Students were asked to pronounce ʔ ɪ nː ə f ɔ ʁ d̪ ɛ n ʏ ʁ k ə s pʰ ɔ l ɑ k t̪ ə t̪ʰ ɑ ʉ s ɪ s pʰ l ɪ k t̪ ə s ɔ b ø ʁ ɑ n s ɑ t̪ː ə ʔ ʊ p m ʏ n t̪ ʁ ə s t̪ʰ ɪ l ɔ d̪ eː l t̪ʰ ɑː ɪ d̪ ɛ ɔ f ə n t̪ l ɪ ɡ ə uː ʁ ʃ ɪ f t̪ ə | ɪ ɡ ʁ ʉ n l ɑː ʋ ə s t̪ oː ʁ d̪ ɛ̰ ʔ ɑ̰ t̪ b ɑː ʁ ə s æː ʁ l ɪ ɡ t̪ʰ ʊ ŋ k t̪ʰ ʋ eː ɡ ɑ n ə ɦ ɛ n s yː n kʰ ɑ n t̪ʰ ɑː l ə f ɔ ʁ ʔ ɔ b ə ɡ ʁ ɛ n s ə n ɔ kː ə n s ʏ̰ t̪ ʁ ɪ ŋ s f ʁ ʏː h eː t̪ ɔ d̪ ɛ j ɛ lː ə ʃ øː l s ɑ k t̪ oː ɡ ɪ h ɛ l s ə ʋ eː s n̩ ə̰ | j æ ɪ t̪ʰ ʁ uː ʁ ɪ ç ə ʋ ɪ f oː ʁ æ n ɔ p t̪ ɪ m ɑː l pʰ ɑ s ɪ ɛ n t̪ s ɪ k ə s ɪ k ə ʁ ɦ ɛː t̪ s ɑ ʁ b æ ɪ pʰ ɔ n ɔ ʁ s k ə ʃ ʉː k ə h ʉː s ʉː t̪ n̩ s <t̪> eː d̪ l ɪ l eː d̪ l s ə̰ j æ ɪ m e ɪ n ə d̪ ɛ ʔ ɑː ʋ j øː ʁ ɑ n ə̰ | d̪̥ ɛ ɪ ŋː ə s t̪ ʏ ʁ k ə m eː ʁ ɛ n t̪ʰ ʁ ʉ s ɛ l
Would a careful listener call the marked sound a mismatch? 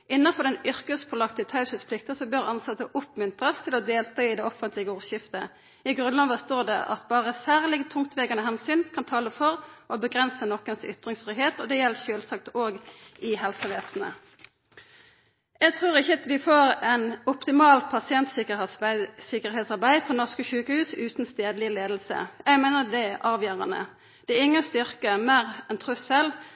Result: no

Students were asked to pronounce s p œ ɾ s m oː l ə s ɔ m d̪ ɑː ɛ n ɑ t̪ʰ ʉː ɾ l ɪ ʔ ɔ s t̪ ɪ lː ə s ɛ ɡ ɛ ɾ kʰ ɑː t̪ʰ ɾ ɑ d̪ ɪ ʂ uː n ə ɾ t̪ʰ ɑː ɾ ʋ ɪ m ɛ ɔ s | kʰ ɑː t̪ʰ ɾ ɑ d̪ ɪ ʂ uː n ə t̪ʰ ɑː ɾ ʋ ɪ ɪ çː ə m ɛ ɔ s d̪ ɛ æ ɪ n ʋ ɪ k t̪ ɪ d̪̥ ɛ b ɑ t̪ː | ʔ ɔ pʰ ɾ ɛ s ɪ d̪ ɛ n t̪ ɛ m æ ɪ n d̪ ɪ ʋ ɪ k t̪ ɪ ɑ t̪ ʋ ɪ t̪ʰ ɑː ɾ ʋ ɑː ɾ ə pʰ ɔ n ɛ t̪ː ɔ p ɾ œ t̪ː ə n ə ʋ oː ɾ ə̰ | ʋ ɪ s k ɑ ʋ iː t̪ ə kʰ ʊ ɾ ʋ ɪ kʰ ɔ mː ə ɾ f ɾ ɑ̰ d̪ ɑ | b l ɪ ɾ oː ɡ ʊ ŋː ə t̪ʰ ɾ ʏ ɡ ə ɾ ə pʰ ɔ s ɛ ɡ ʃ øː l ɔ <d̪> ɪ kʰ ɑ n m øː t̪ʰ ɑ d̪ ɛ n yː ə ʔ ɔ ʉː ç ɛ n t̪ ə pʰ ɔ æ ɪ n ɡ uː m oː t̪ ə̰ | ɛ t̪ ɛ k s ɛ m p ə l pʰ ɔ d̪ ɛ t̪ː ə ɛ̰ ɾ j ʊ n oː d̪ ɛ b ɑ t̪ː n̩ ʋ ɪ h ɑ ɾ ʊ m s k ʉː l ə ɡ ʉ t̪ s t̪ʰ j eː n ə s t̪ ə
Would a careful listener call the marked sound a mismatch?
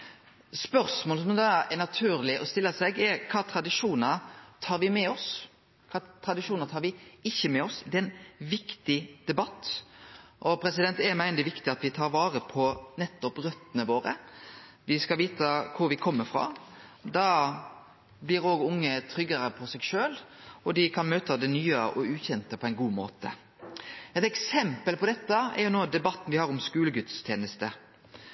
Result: no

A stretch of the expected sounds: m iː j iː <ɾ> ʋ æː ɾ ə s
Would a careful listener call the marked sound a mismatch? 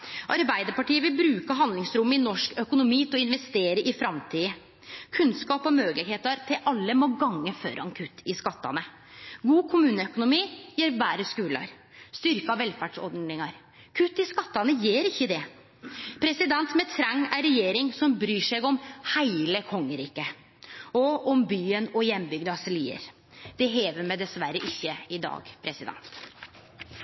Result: no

